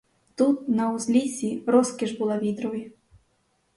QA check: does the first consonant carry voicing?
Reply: no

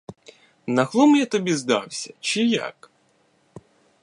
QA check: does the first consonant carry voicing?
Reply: yes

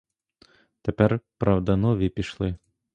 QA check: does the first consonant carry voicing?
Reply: no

